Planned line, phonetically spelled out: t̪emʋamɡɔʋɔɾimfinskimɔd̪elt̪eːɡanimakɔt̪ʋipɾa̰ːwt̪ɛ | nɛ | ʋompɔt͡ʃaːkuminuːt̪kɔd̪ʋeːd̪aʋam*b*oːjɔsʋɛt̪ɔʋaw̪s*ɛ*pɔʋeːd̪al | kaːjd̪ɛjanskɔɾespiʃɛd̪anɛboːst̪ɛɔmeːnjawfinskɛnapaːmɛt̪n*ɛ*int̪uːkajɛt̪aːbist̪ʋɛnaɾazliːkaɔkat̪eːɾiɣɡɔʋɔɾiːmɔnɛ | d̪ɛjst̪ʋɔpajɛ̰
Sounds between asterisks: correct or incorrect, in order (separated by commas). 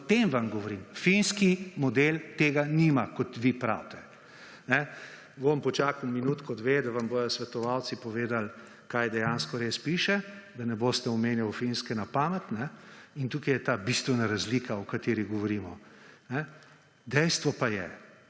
correct, incorrect, correct